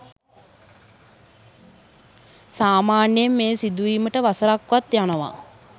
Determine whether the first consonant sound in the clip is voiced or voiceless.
voiceless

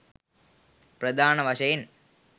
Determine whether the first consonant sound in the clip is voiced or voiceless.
voiceless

